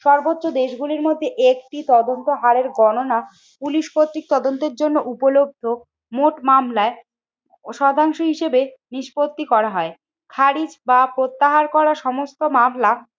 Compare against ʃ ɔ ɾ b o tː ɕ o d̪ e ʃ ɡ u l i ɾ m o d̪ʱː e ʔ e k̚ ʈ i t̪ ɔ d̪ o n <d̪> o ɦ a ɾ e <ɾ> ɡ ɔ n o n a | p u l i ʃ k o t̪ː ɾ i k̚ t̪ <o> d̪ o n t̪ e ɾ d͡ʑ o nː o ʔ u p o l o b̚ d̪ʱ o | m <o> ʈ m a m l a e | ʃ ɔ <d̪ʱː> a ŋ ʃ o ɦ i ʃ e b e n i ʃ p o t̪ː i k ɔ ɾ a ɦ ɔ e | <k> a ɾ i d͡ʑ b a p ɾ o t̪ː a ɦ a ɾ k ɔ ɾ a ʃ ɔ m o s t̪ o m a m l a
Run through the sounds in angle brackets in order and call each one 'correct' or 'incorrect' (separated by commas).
incorrect, correct, incorrect, correct, incorrect, incorrect